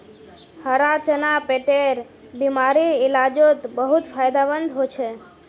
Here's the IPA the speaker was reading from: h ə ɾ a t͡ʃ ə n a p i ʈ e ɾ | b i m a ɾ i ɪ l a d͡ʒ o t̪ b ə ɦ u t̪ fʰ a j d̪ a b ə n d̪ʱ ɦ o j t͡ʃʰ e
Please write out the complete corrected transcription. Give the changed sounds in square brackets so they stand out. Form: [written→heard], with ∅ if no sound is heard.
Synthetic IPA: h ə ɾ a t͡ʃ ə n a p [i→e] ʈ e ɾ | b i m a ɾ i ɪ l a d͡ʒ o t̪ b ə ɦ u t̪ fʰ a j d̪ a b ə n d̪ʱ ɦ o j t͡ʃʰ e